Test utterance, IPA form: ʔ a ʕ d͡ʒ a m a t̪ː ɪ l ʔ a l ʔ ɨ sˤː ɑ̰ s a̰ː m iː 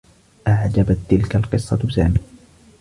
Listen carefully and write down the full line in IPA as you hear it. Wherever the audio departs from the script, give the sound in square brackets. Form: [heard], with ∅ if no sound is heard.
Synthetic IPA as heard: ʔ a ʕ d͡ʒ a [b] a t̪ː ɪ l [k] a l [q] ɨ sˤː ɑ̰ s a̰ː m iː

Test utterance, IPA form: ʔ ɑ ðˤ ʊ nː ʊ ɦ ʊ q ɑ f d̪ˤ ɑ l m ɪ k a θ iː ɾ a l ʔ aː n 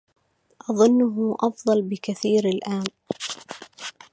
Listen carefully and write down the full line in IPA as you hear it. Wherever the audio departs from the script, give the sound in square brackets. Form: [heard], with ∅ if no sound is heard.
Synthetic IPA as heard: ʔ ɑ ðˤ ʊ nː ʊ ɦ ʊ [ʔ] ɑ f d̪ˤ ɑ l [b] ɪ k a θ iː ɾ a l ʔ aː n

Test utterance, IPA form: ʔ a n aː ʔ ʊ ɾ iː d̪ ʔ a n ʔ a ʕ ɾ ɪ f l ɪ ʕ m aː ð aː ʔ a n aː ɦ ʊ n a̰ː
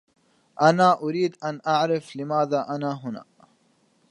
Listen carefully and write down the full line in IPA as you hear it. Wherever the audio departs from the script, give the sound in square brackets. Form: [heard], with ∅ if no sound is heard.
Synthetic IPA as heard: ʔ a n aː ʔ ʊ ɾ iː d̪ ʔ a n ʔ a ʕ ɾ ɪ f l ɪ [∅] m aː ð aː ʔ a n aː ɦ ʊ n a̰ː

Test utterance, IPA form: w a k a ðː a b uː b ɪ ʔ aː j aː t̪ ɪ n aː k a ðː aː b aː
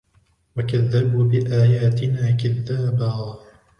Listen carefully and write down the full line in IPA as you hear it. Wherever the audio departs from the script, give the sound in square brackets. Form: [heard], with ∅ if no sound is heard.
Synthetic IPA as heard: w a k a ðː a b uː b ɪ ʔ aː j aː t̪ ɪ n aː k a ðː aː b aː

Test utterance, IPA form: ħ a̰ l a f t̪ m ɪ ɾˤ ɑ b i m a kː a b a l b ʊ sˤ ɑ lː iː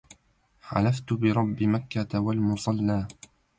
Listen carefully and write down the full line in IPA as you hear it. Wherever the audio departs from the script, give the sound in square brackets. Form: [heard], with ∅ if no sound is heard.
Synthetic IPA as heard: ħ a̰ l a f t̪ [b] ɪ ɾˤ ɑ [bː] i m a kː a [w] a l [m] ʊ sˤ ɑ lː [aː]

